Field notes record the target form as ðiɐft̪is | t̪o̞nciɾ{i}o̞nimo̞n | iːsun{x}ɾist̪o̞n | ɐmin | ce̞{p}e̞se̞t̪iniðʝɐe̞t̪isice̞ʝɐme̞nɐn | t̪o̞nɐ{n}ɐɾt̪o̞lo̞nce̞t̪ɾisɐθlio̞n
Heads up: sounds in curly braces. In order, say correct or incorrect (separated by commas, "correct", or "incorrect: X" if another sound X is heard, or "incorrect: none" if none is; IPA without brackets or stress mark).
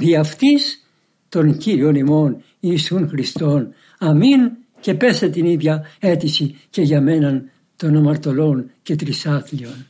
correct, correct, correct, incorrect: m